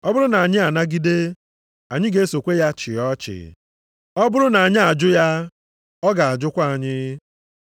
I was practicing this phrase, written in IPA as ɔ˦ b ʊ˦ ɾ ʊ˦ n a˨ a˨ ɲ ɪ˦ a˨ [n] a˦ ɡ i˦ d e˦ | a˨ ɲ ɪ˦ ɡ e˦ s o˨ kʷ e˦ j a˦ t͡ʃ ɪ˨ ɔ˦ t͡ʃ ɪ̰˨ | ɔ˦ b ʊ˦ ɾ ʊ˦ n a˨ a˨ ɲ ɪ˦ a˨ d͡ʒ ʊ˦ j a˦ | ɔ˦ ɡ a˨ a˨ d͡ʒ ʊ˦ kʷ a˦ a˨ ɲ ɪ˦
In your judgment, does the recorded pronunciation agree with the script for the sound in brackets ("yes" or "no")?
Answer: yes